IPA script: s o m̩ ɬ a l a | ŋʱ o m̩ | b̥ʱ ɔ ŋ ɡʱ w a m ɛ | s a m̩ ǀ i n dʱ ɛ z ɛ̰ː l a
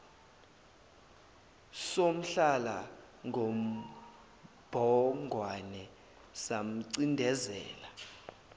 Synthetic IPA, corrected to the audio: s o m̩ ɬ a l a | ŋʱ o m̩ | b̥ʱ ɔ ŋ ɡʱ w a n ɛ | s a m̩ ǀ i n dʱ ɛ z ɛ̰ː l a